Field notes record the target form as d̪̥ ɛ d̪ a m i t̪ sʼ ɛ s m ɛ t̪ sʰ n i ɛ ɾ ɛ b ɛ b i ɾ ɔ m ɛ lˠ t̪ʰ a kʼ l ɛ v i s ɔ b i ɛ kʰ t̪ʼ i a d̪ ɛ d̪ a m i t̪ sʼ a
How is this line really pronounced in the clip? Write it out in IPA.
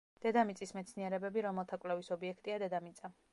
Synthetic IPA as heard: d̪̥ ɛ d̪ a m i t̪ sʼ i s m ɛ t̪ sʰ n i ɛ ɾ ɛ b ɛ b i ɾ ɔ m ɛ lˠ t̪ʰ a kʼ l ɛ v i s ɔ b i ɛ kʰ t̪ʼ i a d̪ ɛ d̪ a m i t̪ sʼ a